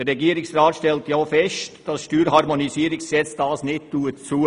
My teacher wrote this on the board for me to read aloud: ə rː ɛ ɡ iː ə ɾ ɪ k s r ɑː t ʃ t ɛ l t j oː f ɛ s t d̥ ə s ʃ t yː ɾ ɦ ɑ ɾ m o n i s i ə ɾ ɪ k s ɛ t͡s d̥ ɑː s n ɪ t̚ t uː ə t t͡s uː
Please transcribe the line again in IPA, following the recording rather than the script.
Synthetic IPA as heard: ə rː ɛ ɡ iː ə ɾ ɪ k s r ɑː t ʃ t ɛ l t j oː f ɛ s t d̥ ɑ s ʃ t yː ɾ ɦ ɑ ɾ m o n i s i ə ɾ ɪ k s ɛ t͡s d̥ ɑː s n ɪ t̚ t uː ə t t͡s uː